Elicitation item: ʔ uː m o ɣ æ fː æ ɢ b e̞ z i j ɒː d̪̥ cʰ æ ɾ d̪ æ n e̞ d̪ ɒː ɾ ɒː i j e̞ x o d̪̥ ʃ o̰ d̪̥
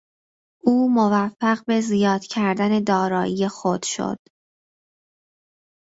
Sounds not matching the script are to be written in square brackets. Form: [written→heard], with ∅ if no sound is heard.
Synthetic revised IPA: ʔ uː m o [ɣ→v] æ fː æ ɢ b e̞ z i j ɒː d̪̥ cʰ æ ɾ d̪ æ n e̞ d̪ ɒː ɾ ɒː i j e̞ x o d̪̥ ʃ o̰ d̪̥